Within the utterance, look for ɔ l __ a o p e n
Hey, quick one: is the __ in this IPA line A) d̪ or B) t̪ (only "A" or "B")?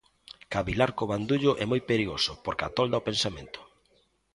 A